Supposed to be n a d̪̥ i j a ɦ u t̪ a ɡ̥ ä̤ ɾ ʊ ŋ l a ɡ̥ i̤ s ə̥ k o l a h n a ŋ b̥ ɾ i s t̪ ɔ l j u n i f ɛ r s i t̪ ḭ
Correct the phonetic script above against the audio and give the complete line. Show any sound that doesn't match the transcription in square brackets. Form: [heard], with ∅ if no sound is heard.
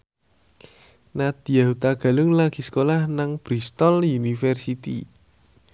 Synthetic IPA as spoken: n a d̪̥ i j a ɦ u t̪ a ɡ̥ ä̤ [l] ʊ ŋ l a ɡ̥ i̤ s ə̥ k o l a h n a ŋ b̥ ɾ i s t̪ ɔ l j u n i f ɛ r s i t̪ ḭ